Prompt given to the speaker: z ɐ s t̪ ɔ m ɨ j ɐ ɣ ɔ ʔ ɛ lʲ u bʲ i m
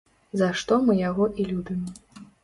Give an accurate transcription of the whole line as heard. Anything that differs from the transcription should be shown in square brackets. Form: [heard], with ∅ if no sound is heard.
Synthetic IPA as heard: z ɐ [ʂ] t̪ ɔ m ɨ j [a] ɣ ɔ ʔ [i] lʲ u bʲ i m

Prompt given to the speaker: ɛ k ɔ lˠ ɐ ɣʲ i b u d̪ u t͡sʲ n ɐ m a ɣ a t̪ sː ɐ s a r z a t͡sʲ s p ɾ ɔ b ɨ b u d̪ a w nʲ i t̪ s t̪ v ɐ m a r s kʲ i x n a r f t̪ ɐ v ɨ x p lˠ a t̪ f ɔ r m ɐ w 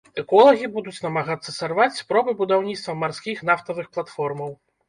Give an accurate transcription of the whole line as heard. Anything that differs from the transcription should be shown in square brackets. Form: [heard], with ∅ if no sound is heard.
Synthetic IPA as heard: ɛ k ɔ lˠ ɐ ɣʲ i b u d̪ u t͡sʲ n ɐ m a ɣ a t̪ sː ɐ s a r [v] a t͡sʲ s p ɾ ɔ b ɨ b u d̪ a w nʲ i t̪ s t̪ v ɐ m a r s kʲ i x n a [∅] f t̪ ɐ v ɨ x p lˠ a t̪ f ɔ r m ɐ w

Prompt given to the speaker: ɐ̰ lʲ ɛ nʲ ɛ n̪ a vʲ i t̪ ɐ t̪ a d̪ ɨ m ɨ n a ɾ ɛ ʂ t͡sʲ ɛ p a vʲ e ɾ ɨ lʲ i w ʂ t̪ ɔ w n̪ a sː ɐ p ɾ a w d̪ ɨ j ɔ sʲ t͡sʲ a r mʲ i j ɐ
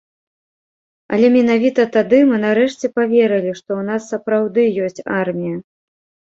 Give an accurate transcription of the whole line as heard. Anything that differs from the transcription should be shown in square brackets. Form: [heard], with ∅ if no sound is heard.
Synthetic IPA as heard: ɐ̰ lʲ ɛ [mʲ] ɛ n̪ a vʲ i t̪ ɐ t̪ a d̪ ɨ m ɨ n a ɾ ɛ ʂ t͡sʲ ɛ p a vʲ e ɾ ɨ lʲ i [∅] ʂ t̪ ɔ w n̪ a sː ɐ p ɾ a w d̪ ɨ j ɔ sʲ t͡sʲ a r mʲ i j ɐ

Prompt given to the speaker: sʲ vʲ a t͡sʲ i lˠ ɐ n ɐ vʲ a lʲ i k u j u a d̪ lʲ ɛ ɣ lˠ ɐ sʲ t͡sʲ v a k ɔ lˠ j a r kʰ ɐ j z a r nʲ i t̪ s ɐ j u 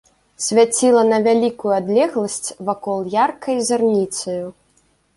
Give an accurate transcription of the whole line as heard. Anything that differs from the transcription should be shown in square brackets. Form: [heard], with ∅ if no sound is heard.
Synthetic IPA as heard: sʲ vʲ a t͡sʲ i lˠ ɐ n ɐ vʲ a lʲ i k u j u a d̪ lʲ ɛ ɣ lˠ ɐ sʲ t͡sʲ v a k ɔ lˠ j a r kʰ ɐ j z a r nʲ i t̪ s ɐ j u

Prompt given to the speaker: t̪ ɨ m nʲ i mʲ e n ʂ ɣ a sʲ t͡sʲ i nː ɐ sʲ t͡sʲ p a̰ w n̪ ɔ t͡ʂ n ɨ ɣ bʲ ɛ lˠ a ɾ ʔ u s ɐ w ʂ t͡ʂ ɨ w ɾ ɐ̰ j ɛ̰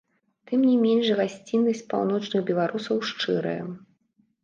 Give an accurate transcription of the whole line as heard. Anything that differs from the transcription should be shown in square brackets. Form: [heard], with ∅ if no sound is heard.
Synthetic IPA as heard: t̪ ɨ m nʲ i mʲ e n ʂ ɣ a sʲ t͡sʲ i nː ɐ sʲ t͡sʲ p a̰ w n̪ ɔ t͡ʂ n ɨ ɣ bʲ ɛ lˠ a ɾ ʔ u s ɐ w ʂ t͡ʂ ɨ [∅] ɾ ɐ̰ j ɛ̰

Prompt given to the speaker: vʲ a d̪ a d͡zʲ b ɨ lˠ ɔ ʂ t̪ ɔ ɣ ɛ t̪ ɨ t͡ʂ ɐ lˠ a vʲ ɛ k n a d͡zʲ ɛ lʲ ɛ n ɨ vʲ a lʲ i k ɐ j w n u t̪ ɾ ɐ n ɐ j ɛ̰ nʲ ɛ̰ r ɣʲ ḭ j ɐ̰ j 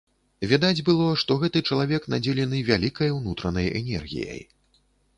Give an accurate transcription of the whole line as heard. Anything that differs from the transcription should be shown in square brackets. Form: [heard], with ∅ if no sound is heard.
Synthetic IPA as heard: vʲ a d̪ a d͡zʲ b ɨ lˠ ɔ ʂ t̪ ɔ ɣ ɛ t̪ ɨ t͡ʂ ɐ lˠ a vʲ ɛ k n a d͡zʲ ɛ lʲ ɛ n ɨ vʲ a lʲ i k ɐ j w n u t̪ ɾ ɐ n ɐ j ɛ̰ nʲ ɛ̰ r ɣʲ ḭ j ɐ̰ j

